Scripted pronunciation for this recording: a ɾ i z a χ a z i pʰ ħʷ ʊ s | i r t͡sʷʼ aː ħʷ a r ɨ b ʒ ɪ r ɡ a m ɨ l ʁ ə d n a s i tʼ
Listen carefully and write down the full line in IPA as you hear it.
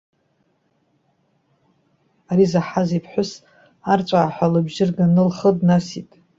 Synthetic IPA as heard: a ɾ i z a ħ a z i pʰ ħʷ ʊ s | a r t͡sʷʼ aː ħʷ a l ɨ b ʒ ɪ r ɡ a n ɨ l χ ə d n a s i tʼ